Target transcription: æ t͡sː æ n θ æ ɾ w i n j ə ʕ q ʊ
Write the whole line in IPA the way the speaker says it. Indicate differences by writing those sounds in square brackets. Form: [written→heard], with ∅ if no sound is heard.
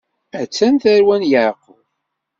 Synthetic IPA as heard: æ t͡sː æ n θ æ ɾ w [i→æ] n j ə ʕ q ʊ